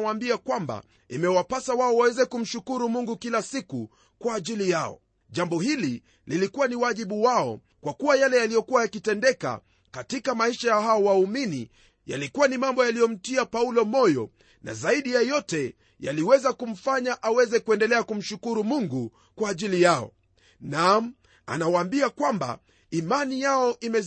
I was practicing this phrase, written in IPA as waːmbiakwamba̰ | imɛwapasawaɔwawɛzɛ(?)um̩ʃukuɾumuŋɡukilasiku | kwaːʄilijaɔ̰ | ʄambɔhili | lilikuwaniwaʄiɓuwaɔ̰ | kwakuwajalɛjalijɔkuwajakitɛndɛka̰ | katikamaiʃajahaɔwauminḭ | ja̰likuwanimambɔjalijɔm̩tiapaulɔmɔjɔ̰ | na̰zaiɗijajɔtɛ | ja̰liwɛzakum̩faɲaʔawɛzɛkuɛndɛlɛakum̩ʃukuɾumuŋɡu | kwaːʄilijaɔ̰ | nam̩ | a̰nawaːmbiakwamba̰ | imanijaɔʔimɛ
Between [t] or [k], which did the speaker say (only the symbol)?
k